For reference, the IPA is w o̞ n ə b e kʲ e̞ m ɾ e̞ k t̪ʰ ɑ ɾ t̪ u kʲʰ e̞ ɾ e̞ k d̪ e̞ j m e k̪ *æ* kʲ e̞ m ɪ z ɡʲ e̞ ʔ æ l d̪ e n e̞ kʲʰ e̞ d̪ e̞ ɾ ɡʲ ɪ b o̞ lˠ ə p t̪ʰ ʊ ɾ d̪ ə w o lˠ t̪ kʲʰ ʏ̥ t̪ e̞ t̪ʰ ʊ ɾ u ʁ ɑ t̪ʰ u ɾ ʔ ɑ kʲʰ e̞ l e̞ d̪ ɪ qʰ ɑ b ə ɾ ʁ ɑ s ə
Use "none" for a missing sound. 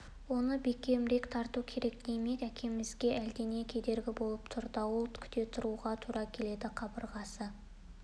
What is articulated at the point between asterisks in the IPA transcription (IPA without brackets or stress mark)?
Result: æ